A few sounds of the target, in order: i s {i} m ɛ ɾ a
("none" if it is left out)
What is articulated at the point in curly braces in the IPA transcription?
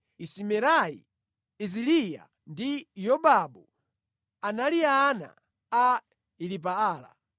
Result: i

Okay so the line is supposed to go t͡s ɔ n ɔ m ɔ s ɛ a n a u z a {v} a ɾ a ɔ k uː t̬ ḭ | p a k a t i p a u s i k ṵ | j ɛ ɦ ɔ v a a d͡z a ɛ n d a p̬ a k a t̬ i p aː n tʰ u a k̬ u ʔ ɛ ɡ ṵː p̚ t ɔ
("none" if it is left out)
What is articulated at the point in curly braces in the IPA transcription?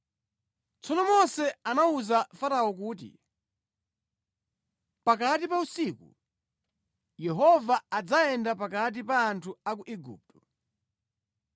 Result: f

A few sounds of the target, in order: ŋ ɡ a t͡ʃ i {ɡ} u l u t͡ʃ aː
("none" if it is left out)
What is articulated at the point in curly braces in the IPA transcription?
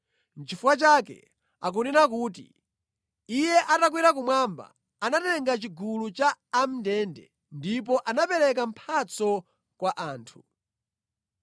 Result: ɡ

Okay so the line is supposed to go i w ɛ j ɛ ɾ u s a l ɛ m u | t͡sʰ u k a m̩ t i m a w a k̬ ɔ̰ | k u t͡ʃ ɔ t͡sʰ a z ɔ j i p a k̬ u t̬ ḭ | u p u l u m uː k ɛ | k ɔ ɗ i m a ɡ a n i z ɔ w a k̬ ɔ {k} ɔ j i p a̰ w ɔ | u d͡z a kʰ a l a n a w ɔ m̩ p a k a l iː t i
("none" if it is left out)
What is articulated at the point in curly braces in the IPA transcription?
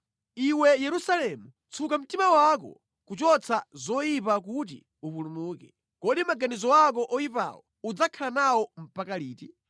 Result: ʔ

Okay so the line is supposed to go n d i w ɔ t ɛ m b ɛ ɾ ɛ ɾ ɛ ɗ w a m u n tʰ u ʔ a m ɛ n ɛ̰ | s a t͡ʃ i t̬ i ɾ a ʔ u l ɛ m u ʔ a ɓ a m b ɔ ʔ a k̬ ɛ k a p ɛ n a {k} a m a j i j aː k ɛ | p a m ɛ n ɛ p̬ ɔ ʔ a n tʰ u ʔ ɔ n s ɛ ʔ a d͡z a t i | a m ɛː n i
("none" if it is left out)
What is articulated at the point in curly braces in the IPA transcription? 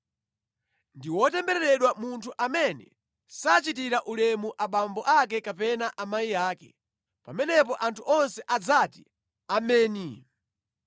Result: ʔ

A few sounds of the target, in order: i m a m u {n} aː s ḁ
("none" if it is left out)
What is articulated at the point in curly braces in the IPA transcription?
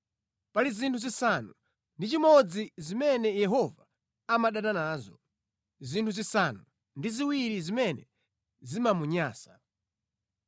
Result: ɲ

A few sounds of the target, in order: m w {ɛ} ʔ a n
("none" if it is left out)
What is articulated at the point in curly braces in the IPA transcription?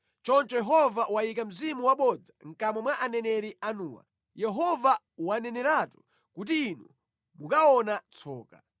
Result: a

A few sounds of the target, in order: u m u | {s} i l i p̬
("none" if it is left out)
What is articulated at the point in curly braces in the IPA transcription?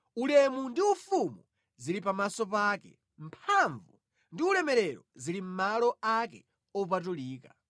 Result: z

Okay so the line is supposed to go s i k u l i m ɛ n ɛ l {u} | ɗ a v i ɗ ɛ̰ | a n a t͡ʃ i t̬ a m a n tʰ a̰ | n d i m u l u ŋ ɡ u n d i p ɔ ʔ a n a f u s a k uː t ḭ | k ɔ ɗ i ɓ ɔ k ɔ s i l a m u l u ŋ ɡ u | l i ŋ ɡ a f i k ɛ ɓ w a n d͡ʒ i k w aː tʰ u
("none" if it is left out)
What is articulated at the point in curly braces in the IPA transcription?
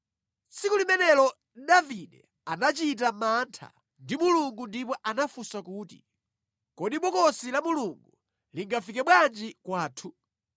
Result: ɔ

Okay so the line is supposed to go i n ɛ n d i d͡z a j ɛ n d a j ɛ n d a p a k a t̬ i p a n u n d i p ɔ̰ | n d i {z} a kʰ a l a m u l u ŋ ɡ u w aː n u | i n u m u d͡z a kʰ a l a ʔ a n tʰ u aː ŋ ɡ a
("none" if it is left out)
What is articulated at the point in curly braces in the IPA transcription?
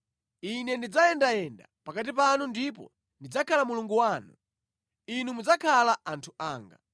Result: d͡z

